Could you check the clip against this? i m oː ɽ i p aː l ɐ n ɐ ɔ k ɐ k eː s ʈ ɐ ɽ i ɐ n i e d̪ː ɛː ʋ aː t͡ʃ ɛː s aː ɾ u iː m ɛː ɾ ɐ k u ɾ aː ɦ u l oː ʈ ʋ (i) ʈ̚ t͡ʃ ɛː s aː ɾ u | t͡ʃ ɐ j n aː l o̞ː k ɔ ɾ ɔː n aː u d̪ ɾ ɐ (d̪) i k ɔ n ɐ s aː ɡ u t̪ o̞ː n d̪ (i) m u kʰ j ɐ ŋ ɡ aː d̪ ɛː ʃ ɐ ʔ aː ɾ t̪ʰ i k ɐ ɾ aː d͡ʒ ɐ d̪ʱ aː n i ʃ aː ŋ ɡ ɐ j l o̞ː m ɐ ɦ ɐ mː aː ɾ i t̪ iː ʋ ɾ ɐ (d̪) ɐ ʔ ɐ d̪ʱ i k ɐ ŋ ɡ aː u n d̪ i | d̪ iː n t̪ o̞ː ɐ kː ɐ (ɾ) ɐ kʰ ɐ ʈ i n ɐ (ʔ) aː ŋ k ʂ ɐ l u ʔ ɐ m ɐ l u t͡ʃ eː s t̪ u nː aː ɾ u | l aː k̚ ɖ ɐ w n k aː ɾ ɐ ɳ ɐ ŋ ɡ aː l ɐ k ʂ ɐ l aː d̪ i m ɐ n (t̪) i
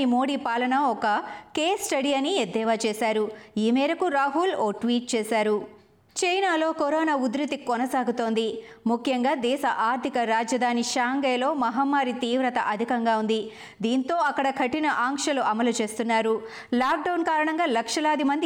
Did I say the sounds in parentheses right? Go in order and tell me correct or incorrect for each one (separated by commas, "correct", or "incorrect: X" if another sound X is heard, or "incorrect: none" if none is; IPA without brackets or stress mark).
incorrect: iː, incorrect: t̪, correct, incorrect: t̪, incorrect: ɽ, correct, incorrect: d̪